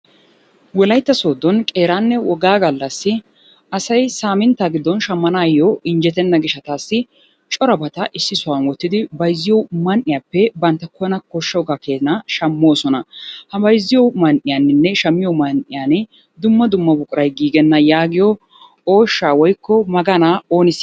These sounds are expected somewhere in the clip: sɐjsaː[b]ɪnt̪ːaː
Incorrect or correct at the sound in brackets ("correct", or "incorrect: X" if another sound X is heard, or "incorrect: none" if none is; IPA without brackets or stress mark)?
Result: incorrect: m